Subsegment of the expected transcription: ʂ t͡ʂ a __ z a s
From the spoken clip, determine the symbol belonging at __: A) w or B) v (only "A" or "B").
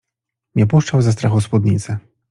A